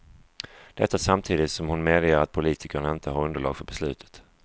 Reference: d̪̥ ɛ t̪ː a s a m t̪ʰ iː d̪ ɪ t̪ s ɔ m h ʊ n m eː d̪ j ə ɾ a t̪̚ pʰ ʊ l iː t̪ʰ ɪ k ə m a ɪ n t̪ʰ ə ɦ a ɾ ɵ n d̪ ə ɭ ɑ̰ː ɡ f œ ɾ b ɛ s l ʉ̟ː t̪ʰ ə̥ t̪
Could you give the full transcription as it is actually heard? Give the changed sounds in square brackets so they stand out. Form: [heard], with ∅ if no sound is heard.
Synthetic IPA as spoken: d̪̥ ɛ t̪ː a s a m t̪ʰ iː d̪ ɪ t̪ s ɔ m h ʊ n m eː d̪ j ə ɾ a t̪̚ pʰ ʊ l iː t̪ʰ ɪ k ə [ɳ] a ɪ n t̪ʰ ə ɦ a ɾ ɵ n d̪ ə ɭ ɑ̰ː ɡ f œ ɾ b ɛ s l ʉ̟ː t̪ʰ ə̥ t̪